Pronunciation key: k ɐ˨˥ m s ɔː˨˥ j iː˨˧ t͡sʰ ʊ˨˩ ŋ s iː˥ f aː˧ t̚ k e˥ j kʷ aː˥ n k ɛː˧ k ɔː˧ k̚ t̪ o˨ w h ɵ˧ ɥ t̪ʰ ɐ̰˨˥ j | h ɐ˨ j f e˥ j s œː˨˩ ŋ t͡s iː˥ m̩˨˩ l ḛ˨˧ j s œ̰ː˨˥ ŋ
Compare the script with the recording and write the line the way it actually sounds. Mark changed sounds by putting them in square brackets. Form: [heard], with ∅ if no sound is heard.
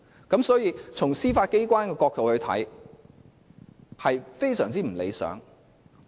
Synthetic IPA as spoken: k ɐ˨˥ m s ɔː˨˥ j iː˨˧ t͡sʰ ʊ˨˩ ŋ s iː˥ f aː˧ t̚ k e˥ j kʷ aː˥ n k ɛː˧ k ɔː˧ k̚ t̪ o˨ w h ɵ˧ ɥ t̪ʰ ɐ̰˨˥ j | h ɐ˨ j f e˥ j s œː˨˩ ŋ t͡s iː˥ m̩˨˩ l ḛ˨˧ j s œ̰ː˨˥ ŋ